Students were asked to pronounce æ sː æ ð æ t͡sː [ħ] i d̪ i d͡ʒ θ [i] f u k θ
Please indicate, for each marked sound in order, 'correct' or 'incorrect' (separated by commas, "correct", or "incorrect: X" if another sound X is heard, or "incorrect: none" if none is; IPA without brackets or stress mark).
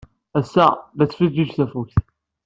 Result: incorrect: f, incorrect: æ